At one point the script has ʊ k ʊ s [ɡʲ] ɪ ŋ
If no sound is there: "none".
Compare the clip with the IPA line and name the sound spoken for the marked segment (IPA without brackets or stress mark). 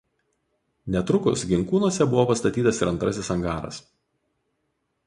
ɡʲ